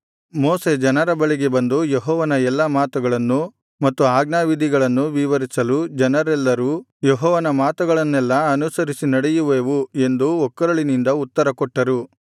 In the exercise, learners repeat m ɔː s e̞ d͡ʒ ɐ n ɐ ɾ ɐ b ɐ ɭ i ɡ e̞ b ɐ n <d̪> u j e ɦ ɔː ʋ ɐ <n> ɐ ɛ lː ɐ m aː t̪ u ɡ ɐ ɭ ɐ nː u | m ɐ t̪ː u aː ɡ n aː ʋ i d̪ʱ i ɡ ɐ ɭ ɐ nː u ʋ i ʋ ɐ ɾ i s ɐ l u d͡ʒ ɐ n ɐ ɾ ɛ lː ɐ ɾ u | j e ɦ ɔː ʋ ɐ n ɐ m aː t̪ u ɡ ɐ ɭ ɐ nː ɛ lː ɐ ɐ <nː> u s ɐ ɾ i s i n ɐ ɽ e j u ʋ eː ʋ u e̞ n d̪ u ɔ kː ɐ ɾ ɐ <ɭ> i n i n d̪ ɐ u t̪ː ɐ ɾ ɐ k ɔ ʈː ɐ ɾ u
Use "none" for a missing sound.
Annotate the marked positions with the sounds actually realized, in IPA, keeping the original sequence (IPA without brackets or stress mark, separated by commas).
d̪, n, n, ɭ